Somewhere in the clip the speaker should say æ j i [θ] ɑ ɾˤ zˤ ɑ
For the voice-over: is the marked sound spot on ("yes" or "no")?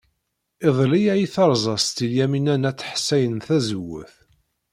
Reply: yes